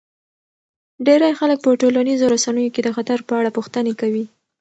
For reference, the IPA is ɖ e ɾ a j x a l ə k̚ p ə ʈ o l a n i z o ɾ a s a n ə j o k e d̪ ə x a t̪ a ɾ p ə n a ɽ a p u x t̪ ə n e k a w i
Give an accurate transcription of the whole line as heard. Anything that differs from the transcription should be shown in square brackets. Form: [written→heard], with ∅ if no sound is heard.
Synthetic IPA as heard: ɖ e ɾ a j x a l ə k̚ p ə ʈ o l a n i z o ɾ a s a n ə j o k e d̪ ə x a t̪ a ɾ p ə [n→∅] a ɽ a p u x t̪ ə n e k a w i